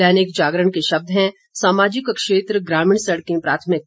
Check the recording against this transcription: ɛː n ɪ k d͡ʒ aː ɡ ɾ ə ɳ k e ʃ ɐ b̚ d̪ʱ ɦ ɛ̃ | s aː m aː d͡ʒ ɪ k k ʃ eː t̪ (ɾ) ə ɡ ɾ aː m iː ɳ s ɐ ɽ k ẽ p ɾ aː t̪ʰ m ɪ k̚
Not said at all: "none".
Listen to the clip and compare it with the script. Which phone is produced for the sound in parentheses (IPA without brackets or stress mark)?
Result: ɾ